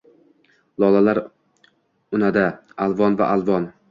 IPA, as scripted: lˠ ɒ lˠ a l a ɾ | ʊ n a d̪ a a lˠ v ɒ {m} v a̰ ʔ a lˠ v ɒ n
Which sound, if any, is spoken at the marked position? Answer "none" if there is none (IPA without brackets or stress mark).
n